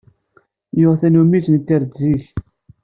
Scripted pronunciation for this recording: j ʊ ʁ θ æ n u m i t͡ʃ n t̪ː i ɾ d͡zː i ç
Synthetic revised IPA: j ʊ ʁ θ æ n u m i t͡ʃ n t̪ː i ɾ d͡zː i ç

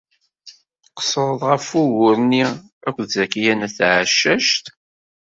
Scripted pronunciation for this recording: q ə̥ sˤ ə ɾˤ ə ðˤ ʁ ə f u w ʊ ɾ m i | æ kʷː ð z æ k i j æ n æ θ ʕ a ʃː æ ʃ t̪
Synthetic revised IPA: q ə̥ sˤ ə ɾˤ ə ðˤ ʁ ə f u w ʊ ɾ n i | æ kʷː ð z æ k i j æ n æ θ ʕ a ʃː æ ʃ t̪

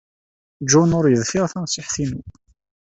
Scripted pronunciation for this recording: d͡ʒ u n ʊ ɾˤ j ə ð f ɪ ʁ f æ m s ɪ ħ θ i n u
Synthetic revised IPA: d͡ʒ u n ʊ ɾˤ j ə ð f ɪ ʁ θ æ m s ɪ ħ θ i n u

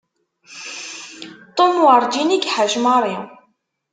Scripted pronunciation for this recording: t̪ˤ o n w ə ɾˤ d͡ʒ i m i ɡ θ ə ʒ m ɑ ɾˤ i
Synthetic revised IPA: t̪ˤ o m w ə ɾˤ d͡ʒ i n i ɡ ħ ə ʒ m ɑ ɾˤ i

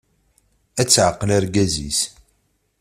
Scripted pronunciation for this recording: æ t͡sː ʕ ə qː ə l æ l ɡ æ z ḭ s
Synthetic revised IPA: æ t͡sː ʕ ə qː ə l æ ɾ ɡ æ z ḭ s

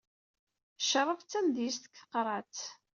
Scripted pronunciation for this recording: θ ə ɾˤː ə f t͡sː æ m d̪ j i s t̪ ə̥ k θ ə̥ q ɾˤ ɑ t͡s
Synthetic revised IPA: ʃ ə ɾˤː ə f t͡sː æ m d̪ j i s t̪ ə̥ k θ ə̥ q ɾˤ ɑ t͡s

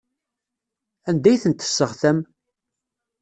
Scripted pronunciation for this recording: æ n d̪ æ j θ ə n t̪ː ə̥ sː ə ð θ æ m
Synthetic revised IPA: æ n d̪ æ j θ ə n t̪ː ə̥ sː ə ʁ θ æ m

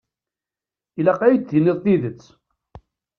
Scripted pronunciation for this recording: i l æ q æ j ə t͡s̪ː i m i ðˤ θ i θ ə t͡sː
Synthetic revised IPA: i l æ q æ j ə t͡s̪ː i n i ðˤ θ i ð ə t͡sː

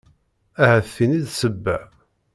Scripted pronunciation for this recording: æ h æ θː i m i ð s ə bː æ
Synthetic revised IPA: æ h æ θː i n i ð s ə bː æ

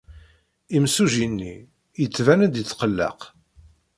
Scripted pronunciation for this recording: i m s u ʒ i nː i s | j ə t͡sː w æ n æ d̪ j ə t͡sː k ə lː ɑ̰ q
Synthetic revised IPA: i m s u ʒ i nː i | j ə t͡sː v æ n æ d̪ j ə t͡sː q ə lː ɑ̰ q

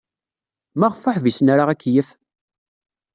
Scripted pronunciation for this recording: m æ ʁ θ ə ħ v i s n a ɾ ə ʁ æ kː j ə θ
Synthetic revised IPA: m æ ʁ f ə ħ v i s n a ɾ a ʁ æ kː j ə f

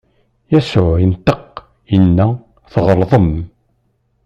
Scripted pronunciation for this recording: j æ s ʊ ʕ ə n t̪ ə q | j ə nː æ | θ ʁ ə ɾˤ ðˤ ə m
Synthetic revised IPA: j æ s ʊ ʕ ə n t̪ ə q | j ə nː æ | θ ʁ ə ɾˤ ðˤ ə m

